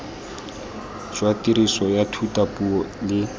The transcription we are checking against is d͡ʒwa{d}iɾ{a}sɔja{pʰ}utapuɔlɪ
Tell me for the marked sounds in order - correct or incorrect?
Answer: incorrect, incorrect, incorrect

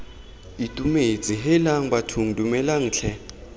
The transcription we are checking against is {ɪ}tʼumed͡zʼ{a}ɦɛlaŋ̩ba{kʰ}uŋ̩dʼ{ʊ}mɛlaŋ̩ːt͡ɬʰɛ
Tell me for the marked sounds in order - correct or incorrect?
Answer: incorrect, incorrect, incorrect, incorrect

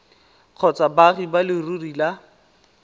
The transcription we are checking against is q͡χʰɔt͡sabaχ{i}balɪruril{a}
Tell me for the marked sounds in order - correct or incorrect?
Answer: correct, correct

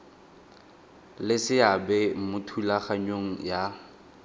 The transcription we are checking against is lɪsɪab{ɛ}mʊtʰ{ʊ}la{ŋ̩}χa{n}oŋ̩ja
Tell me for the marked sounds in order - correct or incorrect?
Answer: correct, incorrect, incorrect, incorrect

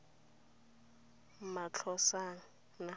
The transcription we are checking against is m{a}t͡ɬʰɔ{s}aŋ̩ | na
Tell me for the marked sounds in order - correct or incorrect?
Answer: correct, correct

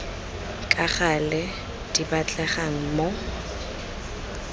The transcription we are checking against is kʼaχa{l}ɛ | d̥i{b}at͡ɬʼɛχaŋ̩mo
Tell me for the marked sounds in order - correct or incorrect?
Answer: correct, correct

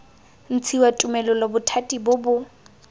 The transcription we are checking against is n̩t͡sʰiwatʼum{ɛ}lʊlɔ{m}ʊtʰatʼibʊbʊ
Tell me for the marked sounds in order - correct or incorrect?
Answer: correct, incorrect

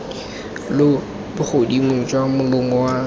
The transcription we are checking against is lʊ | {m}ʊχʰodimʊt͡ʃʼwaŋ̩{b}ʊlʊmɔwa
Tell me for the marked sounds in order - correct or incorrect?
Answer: incorrect, incorrect

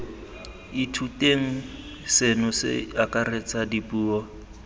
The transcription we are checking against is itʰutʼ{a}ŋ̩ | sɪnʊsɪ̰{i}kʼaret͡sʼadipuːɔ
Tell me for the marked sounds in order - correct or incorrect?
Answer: incorrect, incorrect

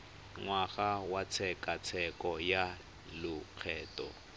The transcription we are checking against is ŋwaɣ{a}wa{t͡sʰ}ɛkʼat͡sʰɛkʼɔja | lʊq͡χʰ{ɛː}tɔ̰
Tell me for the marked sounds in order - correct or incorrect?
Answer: correct, correct, correct

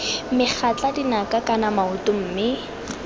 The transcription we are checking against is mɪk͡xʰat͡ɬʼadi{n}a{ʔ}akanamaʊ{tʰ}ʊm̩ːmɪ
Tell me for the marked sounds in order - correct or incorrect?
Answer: correct, incorrect, incorrect

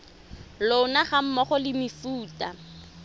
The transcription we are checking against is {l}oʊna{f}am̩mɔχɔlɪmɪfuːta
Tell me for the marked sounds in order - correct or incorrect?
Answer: correct, incorrect

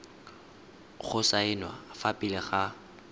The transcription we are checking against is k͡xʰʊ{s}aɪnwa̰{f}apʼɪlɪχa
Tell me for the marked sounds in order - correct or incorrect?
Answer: correct, correct

